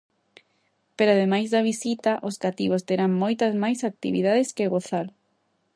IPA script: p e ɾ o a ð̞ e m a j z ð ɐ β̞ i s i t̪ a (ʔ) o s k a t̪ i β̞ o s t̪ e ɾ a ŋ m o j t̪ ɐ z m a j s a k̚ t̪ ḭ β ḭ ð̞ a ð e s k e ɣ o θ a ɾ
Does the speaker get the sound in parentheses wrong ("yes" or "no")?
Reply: no